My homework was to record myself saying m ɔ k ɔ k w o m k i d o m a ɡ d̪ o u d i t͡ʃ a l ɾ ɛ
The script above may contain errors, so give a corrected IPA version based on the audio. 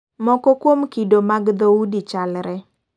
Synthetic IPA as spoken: m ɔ k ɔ k w o m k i d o m a ɡ d̪ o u d i t͡ʃ a l ɾ ɛ